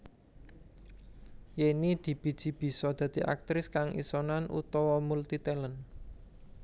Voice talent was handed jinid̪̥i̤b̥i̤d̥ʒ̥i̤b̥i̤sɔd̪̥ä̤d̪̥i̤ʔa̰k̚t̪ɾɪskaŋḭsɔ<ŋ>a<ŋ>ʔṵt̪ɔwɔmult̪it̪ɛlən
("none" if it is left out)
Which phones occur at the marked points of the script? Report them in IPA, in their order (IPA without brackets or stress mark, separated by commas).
n, n